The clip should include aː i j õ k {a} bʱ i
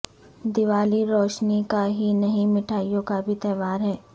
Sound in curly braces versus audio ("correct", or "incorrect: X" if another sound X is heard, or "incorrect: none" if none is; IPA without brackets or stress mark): correct